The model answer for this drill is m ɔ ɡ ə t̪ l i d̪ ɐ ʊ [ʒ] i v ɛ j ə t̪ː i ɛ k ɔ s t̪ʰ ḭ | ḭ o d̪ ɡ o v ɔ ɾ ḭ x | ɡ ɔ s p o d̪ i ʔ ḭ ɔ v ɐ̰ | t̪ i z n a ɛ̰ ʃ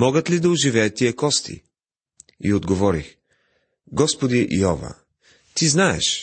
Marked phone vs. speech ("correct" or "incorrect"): correct